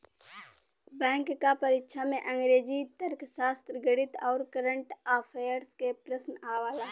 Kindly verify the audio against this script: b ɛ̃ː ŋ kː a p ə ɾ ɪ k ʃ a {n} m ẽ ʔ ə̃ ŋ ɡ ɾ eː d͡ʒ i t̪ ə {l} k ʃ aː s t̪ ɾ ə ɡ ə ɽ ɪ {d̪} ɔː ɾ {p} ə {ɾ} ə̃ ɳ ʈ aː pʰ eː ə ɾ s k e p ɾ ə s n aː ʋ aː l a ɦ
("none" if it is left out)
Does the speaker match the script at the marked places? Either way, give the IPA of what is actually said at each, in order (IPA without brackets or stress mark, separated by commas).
none, ɾ, t̪, k, ɾ